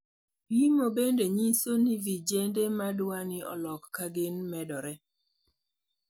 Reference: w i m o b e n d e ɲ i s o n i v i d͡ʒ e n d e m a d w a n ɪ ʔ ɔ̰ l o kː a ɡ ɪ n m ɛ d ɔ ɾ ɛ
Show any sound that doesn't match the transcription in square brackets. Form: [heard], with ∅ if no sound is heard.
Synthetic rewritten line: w i m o b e n d e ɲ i s o n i v i d͡ʒ e n d e m a d w a n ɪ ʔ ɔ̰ l [ɔ] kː a ɡ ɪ n m ɛ d ɔ ɾ ɛ

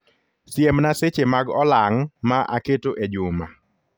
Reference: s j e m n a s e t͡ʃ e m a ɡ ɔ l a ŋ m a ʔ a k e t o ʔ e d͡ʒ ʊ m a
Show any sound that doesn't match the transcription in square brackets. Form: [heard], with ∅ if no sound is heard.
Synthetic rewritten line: s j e m n a s e t͡ʃ e m a ɡ ɔ l a ŋ m a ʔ a k e t o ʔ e d͡ʒ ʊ m a

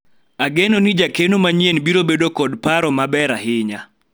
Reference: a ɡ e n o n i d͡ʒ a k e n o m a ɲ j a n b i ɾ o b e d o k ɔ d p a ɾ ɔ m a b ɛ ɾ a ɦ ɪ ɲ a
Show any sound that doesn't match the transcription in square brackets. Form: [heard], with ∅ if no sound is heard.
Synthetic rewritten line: a ɡ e n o n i d͡ʒ a k e n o m a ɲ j [e] n b i ɾ o b e d o k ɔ d p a ɾ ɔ m a b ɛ ɾ a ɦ ɪ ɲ a

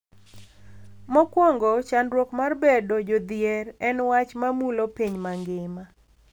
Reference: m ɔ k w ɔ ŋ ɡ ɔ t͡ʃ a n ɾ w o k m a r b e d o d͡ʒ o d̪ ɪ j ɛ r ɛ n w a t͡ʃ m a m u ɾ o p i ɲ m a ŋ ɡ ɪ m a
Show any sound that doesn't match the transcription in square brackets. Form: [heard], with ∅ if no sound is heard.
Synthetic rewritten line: m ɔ k w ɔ ŋ ɡ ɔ t͡ʃ a n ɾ w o k m a r b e d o d͡ʒ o d̪ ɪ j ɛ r ɛ n w a t͡ʃ m a m u [l] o p i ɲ m a ŋ ɡ ɪ m a

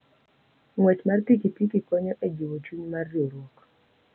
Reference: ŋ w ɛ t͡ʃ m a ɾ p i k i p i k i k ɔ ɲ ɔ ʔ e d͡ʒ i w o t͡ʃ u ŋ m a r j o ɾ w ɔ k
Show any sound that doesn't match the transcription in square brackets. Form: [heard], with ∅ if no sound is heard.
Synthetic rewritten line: ŋ w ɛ t͡ʃ m a [r] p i k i p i k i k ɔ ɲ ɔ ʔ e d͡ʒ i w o t͡ʃ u [ɲ] m a r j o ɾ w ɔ k

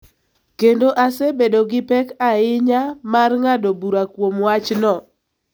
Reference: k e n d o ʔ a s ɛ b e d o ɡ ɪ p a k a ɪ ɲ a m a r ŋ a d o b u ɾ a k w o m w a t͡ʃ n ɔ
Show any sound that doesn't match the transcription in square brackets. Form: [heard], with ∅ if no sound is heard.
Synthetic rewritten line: k e n d o ʔ a s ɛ b e d o ɡ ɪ p [ɛ] k a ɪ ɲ a m a r ŋ a d o b u ɾ a k w o m w a t͡ʃ n ɔ

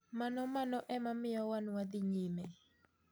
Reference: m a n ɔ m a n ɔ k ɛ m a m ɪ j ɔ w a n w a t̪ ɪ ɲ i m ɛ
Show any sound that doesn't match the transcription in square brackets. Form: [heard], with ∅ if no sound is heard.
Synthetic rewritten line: m a n ɔ m a n ɔ [ʔ] ɛ m a m ɪ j ɔ w a n w a [d̪] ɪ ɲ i m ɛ

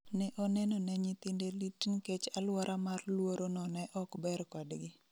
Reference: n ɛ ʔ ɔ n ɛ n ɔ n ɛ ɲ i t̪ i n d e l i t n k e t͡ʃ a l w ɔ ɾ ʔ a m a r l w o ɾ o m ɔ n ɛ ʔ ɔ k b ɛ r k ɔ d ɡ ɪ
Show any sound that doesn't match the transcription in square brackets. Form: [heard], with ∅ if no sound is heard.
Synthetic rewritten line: n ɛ ʔ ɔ n ɛ n ɔ n ɛ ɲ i t̪ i n d e l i t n k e t͡ʃ a l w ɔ ɾ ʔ a m a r l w o ɾ o [n] ɔ n ɛ ʔ ɔ k b ɛ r k ɔ d ɡ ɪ

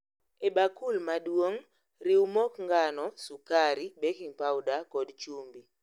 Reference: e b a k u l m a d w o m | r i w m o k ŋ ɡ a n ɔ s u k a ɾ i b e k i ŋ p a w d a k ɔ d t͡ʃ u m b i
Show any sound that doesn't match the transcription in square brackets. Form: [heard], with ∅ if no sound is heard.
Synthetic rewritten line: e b a k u l m a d w o [ŋ] | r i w m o k ŋ ɡ a n ɔ s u k a ɾ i b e k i ŋ p a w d a k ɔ d t͡ʃ u m b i

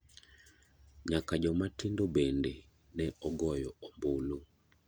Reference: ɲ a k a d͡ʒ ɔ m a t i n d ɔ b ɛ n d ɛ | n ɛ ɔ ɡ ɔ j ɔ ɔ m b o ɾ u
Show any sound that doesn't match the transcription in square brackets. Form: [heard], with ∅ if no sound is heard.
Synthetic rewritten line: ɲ a k a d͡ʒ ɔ m a t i n d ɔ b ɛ n d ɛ | n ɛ ɔ ɡ ɔ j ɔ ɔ m b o [l] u

